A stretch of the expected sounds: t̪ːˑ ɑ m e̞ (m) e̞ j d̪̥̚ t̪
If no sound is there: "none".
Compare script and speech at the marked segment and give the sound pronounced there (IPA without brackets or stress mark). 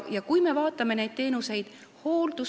n